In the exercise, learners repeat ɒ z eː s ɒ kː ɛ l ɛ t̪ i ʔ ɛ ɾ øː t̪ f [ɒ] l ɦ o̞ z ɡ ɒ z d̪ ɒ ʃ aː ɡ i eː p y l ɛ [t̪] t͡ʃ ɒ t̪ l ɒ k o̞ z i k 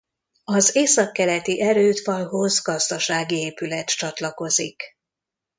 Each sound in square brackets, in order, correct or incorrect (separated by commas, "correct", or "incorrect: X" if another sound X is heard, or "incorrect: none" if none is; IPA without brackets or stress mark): correct, correct